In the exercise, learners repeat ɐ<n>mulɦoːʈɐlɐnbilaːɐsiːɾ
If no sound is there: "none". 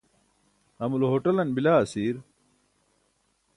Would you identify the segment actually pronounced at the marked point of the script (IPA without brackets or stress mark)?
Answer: none